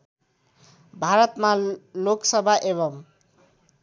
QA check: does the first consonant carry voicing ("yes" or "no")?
yes